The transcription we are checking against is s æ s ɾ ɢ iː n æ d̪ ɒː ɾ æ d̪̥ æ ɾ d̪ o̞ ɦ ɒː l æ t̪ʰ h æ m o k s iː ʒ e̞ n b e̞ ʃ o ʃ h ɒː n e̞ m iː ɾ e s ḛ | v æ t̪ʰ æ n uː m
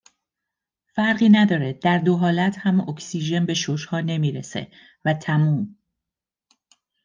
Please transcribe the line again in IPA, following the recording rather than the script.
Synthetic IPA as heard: f æ ɾ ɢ iː n æ d̪ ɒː ɾ e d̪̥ æ ɾ d̪ o̞ ɦ ɒː l æ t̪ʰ h æ m o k s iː ʒ e̞ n b e̞ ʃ o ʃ h ɒː n e̞ m iː ɾ e s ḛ | v æ t̪ʰ æ m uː m